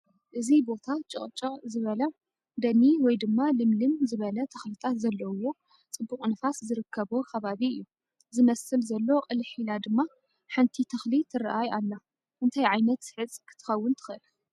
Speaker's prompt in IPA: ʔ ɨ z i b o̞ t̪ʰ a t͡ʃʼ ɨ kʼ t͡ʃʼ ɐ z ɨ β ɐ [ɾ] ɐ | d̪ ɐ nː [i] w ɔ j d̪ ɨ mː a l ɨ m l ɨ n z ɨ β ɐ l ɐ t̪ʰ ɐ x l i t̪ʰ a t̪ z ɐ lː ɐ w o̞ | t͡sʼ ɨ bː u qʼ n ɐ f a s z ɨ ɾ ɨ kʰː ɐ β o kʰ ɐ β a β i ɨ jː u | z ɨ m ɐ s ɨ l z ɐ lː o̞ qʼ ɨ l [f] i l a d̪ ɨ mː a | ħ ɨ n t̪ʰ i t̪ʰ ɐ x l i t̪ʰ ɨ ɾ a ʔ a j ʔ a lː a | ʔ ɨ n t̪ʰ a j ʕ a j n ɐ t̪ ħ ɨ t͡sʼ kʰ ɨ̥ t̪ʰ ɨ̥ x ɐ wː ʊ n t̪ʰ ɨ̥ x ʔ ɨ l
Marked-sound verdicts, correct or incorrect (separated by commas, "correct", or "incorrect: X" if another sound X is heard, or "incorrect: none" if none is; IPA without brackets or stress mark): incorrect: l, correct, incorrect: ħ